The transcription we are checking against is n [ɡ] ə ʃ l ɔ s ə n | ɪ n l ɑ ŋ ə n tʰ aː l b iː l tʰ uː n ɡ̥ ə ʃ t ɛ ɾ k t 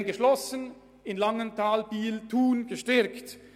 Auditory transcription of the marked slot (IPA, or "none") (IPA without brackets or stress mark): ɡ